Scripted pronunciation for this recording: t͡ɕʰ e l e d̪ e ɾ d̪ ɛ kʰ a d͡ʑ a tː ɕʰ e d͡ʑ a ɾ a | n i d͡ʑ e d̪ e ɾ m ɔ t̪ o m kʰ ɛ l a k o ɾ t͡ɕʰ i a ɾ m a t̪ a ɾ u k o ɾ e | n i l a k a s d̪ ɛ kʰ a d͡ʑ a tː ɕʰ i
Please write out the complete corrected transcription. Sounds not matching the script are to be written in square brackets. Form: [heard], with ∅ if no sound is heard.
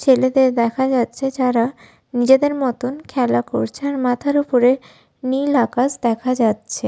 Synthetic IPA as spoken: t͡ɕʰ e l e d̪ e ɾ d̪ ɛ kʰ a d͡ʑ a tː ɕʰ e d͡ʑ a ɾ a | n i d͡ʑ e d̪ e ɾ m ɔ t̪ o [n] kʰ ɛ l a k o ɾ t͡ɕʰ [e] a ɾ m a [t̪ʰ] a ɾ u [p] o ɾ e | n i l a k a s d̪ ɛ kʰ a d͡ʑ a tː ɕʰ [e]

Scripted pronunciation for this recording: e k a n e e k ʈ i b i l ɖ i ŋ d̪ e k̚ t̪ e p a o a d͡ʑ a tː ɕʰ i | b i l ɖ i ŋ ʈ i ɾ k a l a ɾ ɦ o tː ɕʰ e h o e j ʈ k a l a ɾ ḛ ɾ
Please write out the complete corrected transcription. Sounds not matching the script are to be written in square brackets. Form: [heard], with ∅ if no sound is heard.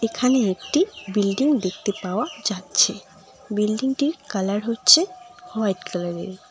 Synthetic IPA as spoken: e [kʰ] a n e e k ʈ i b i l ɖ i ŋ d̪ e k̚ t̪ e p a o a d͡ʑ a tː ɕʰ [e] | b i l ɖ i ŋ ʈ i ɾ k a l a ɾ ɦ o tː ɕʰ e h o [a] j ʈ k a l a ɾ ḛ ɾ

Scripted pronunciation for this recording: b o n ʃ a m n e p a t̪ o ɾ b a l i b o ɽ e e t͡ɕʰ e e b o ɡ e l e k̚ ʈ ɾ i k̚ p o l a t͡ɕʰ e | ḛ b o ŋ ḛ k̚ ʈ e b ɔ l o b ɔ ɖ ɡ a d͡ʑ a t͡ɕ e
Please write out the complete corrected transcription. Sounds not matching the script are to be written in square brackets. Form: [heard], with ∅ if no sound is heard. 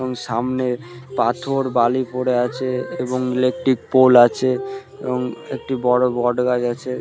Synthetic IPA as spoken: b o [ŋ] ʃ a m n e p a [t̪ʰ] o ɾ b a l i [p] o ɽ e [a] t͡ɕʰ e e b o [ŋ] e l e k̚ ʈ ɾ i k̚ p o l a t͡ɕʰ e | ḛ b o ŋ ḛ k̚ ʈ [i] b ɔ [ɽ] o b ɔ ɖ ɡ a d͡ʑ a [t͡ɕʰ] e

